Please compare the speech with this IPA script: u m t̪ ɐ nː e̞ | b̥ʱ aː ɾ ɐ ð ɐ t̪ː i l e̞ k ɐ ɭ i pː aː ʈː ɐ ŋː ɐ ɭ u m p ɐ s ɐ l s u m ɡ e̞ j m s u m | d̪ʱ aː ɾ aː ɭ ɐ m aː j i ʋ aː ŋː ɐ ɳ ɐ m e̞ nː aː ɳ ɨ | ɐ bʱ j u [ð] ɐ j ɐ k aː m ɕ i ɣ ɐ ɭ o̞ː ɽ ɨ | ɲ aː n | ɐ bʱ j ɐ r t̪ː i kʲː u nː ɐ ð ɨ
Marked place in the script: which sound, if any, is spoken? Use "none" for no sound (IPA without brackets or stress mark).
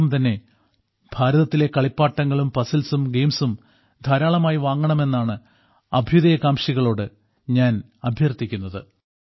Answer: ð